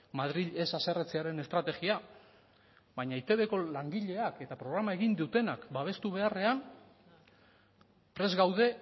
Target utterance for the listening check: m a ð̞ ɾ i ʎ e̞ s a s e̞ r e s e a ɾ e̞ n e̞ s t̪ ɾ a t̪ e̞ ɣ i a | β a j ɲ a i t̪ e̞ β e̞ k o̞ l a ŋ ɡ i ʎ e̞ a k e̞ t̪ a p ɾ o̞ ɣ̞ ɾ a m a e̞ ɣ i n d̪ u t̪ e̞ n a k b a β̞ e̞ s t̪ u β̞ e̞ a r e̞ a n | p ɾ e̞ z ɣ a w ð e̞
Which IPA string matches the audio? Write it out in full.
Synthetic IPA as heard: m a ð̞ ɾ i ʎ e̞ s a s e̞ r e t͡s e a ɾ e̞ n e̞ s t̪ ɾ a t̪ e̞ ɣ i a | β a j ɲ a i t̪ e̞ β e̞ k o̞ l a ŋ ɡ i ʎ e̞ a k e̞ t̪ a p ɾ o̞ ɣ̞ ɾ a m a e̞ ɣ i n d̪ u t̪ e̞ n a k b a β̞ e̞ s t̪ u β̞ e̞ a r e̞ a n | p ɾ e̞ z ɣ a w ð e̞